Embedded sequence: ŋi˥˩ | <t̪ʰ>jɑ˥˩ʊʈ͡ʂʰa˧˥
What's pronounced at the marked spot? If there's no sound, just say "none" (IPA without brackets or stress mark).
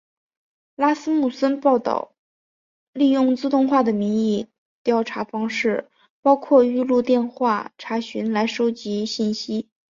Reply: t̪